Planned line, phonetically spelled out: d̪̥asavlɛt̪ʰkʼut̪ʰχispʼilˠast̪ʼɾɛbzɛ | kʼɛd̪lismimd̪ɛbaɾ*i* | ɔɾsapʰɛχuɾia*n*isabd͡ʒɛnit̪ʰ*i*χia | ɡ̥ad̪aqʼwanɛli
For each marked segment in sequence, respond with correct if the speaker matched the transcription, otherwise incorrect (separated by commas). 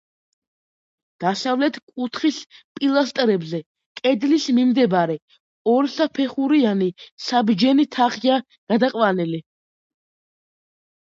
incorrect, correct, incorrect